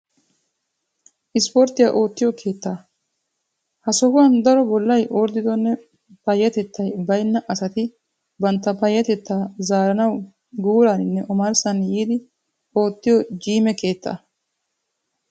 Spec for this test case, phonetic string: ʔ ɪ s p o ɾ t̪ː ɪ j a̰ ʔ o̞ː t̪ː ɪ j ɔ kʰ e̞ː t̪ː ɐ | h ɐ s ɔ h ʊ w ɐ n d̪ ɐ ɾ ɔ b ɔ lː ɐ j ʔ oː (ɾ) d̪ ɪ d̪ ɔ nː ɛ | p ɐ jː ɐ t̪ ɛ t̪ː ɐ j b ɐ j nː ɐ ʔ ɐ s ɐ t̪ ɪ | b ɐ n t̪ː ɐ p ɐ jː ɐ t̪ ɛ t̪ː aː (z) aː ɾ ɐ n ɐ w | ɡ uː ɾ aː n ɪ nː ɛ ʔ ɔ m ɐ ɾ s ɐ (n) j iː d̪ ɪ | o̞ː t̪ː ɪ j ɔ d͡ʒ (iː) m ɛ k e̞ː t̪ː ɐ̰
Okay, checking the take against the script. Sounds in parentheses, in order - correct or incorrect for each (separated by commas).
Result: correct, correct, correct, correct